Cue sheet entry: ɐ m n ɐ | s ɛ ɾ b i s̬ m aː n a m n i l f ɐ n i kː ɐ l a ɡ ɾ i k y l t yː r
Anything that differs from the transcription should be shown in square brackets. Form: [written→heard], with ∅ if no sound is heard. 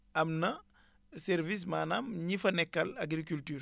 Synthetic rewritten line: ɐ m n ɐ | s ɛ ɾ [b→v] i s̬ m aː n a m [n→ɲ] i [l→∅] f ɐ n [i→ɛ] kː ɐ l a ɡ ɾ i k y l t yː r